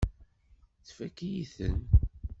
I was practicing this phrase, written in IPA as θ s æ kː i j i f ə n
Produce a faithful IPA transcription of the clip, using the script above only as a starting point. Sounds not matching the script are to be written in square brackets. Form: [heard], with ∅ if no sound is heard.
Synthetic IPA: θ [f] æ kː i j i [θ] ə n

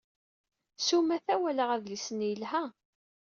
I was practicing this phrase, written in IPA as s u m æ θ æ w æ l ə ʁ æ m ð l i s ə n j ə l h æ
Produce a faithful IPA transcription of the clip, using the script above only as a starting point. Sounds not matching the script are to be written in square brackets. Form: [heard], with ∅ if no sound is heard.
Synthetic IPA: s u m æ θ æ w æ l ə ʁ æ [∅] ð l i s ə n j ə l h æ

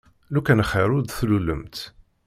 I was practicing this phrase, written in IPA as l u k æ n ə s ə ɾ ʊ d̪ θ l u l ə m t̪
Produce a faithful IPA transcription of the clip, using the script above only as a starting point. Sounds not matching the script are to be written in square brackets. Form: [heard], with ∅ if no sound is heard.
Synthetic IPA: l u k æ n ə [χ] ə ɾ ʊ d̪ θ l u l ə m t̪

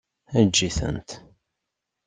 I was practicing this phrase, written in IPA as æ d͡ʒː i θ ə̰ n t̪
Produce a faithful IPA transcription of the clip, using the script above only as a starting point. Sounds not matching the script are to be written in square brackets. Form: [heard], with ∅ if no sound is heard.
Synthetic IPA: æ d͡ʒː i θ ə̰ n t̪

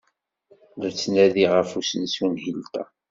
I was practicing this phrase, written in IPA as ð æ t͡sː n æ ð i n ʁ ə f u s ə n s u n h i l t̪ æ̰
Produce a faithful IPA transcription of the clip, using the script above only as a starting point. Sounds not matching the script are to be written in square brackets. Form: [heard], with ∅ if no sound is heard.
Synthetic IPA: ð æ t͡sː n æ ð i [∅] ʁ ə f u s ə n s u n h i l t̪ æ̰

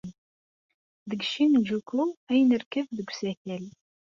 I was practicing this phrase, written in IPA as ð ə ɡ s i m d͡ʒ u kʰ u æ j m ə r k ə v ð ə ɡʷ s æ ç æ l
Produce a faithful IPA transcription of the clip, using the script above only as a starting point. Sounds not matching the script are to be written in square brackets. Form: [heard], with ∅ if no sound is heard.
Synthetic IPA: ð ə ɡ [ʃ] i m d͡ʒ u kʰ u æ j [n] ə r k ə v ð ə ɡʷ s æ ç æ l

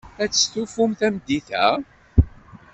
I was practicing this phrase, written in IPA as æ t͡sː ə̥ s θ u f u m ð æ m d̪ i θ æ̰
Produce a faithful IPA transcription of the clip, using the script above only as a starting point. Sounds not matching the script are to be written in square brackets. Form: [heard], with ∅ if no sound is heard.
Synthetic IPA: æ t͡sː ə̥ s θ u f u m [θ] æ m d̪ i θ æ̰

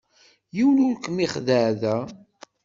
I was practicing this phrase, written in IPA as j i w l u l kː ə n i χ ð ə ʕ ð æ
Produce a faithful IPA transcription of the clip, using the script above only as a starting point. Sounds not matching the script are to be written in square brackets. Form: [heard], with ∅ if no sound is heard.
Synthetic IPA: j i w l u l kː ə [m] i χ ð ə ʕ ð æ

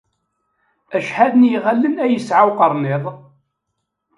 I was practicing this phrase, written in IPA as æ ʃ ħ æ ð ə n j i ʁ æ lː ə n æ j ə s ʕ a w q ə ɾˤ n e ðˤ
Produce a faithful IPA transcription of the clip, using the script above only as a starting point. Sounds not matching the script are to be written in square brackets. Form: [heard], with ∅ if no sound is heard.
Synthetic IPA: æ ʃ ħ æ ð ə n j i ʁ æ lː ə n æ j ə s ʕ a w q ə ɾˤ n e ðˤ

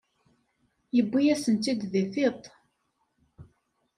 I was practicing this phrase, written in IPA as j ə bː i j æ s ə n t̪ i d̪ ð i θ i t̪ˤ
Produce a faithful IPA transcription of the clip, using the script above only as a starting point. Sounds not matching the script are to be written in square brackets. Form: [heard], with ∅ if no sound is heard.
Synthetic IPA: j ə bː i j æ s ə n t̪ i d̪ ð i θ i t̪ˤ

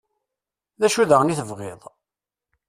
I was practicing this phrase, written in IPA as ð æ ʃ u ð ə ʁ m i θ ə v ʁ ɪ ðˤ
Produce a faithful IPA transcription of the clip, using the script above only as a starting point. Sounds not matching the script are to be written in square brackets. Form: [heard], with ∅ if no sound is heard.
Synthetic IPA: ð æ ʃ u ð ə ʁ [n] i θ ə v ʁ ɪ ðˤ

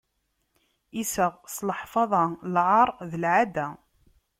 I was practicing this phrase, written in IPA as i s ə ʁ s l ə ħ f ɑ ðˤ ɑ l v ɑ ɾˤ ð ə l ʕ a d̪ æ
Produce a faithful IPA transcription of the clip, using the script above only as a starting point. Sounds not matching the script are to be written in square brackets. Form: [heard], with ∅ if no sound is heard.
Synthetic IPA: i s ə ʁ s l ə ħ f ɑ ðˤ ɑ l [ʕ] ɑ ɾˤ ð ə l ʕ a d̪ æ

